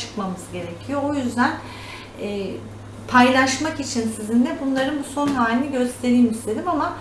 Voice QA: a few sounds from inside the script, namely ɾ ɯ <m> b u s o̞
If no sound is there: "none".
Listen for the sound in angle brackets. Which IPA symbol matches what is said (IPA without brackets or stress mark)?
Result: n